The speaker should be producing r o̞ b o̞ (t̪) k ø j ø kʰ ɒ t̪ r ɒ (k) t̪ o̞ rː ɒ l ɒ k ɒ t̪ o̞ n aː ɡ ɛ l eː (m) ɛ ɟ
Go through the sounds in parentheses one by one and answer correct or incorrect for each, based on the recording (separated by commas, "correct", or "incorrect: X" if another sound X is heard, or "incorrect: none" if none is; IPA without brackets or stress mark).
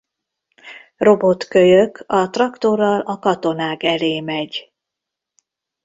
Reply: correct, correct, correct